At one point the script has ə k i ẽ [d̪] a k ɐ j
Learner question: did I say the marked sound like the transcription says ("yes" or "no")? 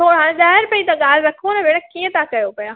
no